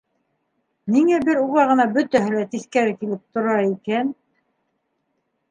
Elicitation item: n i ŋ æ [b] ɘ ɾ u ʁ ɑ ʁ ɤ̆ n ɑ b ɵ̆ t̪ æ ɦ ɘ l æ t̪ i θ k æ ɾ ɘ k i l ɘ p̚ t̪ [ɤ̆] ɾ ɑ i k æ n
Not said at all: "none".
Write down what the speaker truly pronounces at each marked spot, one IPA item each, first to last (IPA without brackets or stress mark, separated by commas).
b, ŏ